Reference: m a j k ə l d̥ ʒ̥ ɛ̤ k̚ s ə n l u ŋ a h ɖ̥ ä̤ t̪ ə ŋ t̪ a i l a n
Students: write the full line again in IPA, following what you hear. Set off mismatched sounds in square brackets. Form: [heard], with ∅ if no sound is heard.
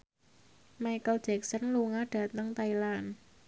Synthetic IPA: m a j k ə l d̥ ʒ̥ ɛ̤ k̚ s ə n l u ŋ a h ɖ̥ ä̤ t̪ ə ŋ t̪ a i l a n